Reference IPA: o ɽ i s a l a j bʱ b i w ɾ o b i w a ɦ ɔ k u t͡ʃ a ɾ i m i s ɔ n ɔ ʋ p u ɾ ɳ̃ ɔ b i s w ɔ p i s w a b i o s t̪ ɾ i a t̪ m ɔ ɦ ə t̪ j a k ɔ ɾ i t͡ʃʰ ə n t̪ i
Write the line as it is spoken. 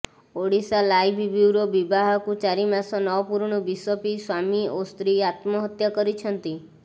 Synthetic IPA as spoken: o ɽ i s a l a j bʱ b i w ɾ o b i b a ɦ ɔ k u t͡ʃ a ɾ i m a s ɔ n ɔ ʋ p u ɾ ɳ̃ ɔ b i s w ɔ p i s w a m i o s t̪ ɾ i a t̪ m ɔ ɦ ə t̪ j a k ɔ ɾ i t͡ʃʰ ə n t̪ i